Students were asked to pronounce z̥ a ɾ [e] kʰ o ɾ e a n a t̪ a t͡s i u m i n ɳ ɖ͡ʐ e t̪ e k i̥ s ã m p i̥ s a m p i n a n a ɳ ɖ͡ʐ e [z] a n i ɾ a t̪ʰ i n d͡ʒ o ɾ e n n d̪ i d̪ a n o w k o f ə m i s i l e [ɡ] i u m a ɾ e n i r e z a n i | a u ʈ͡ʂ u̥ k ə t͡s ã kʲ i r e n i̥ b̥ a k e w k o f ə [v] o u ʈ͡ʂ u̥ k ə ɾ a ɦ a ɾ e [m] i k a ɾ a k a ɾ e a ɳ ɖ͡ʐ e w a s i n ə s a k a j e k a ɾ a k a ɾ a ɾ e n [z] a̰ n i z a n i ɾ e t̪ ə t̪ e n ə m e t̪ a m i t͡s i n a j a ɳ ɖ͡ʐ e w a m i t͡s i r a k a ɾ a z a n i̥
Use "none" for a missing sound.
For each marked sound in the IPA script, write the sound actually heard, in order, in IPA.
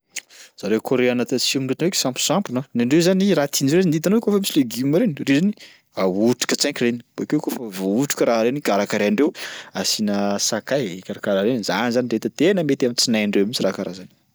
e, z, ɡ, v, n, z

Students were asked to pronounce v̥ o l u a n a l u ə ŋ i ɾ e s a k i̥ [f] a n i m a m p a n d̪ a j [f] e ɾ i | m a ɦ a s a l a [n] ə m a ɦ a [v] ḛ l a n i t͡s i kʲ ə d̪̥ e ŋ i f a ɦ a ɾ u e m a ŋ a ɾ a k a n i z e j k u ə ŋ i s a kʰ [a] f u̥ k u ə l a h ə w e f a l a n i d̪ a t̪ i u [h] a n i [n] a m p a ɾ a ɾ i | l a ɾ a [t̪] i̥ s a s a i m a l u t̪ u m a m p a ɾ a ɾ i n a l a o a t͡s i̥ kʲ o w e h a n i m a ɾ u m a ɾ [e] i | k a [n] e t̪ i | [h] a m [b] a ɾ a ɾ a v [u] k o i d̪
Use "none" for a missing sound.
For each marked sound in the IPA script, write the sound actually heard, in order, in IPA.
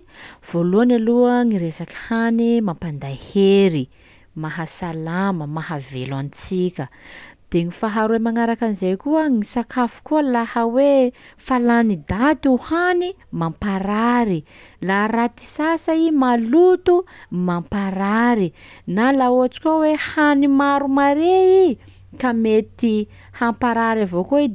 h, h, m, v, a, h, m, t̪, e, m, h, p, o

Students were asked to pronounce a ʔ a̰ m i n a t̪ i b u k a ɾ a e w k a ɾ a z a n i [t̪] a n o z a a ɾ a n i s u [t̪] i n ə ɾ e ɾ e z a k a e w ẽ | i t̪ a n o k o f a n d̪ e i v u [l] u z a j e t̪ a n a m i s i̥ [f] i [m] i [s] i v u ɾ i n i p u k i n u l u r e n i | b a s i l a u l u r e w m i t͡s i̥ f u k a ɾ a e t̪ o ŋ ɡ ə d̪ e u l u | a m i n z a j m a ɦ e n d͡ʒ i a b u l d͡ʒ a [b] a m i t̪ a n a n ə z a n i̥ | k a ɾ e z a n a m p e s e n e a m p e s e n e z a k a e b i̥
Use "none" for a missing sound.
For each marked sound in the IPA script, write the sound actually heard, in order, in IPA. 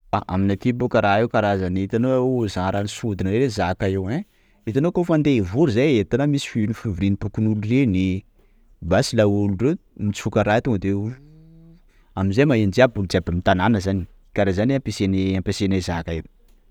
t̪, d̪, ɾ, f, n, f, b

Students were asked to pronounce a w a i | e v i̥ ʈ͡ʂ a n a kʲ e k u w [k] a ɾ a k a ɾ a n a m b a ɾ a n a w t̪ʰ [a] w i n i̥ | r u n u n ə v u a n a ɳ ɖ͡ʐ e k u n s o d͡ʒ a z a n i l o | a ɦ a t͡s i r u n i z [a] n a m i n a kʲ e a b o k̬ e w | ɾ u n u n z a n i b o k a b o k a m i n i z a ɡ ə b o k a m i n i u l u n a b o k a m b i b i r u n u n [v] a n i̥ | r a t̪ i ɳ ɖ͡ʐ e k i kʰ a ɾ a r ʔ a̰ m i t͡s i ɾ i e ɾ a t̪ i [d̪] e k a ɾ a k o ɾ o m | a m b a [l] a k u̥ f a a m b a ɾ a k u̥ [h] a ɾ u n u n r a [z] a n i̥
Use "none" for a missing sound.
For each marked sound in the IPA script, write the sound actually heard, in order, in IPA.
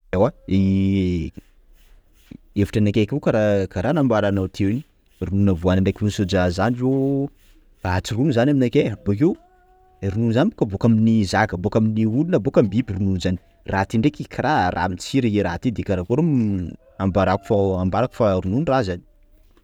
k, e, a, z, d̪, ɾ, f, z

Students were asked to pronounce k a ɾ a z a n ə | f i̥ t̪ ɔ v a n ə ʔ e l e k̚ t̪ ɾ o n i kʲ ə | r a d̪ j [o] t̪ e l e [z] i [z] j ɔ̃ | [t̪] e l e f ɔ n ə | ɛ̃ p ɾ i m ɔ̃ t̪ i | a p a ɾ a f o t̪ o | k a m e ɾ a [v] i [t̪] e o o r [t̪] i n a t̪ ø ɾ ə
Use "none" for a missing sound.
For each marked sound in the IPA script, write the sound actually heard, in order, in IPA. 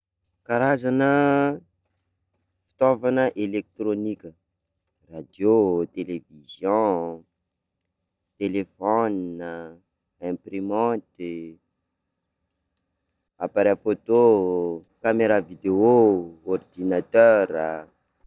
o, v, z, t̪, v, d̪, d̪

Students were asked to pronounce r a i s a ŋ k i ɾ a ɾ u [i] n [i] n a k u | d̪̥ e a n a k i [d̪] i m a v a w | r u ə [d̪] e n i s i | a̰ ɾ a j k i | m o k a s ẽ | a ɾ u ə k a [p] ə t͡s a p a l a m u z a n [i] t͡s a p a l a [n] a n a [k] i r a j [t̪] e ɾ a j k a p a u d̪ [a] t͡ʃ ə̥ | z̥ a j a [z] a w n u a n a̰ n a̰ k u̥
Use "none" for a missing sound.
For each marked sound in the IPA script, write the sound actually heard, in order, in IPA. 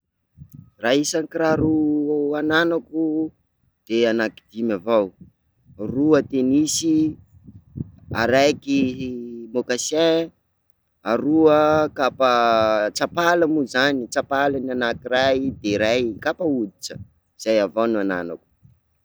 a, a, d̪, t̪, p, i, n, k, d̪, i, v

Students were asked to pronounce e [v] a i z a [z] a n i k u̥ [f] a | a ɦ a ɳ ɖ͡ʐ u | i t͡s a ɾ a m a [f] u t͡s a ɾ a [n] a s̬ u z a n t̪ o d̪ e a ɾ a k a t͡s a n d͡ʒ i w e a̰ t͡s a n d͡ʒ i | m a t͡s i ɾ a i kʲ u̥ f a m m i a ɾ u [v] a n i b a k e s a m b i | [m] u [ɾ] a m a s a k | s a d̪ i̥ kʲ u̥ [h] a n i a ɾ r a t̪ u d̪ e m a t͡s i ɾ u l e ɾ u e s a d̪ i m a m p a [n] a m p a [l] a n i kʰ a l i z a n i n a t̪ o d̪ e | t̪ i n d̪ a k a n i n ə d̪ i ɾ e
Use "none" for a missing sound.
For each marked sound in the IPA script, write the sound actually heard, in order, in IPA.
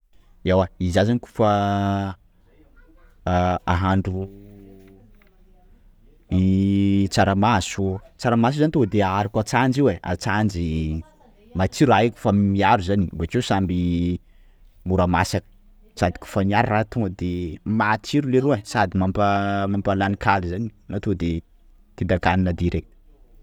w, z, f, s, m, z, m, ɾ, f, m, l

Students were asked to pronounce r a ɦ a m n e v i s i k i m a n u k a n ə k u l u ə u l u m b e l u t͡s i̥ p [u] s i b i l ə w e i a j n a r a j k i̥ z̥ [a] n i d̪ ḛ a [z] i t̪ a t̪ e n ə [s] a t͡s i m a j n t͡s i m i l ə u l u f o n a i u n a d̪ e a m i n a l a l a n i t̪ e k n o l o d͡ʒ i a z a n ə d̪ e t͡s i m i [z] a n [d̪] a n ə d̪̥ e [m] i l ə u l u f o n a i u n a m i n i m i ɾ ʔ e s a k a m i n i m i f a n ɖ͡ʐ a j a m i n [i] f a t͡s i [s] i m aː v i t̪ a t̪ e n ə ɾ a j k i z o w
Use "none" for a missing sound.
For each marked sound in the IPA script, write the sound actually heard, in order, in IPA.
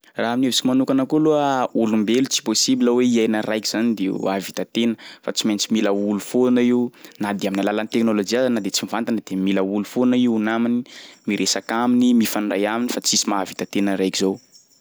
o, a, v, f, v, t̪, m, i, s

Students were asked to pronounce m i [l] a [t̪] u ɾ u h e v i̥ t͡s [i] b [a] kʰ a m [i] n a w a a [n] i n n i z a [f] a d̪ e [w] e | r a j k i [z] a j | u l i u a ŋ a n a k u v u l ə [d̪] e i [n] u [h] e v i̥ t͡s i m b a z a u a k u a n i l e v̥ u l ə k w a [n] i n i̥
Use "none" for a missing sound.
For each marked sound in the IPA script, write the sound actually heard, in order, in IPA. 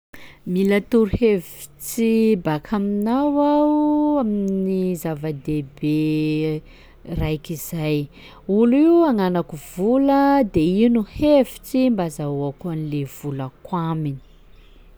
l, t̪, i, a, i, m, v, b, z, d̪, n, h, m

